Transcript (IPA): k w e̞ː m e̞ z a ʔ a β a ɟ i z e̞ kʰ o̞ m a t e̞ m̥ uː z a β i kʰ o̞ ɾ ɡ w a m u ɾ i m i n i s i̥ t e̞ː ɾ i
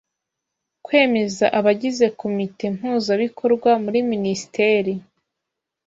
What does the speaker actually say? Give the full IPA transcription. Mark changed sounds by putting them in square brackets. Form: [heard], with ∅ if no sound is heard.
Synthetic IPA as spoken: k w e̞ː m e̞ z a ʔ a β a ɟ i z e̞ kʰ o̞ m [i] t e̞ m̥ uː z a β i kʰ o̞ ɾ ɡ w a m u ɾ i m i n i s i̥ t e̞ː ɾ i